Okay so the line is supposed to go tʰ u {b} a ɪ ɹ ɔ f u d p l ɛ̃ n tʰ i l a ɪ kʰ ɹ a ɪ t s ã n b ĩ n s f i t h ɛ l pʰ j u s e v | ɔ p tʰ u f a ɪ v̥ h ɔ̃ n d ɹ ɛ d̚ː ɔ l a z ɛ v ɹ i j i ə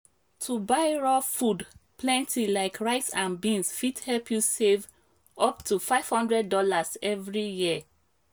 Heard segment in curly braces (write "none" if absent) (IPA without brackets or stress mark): b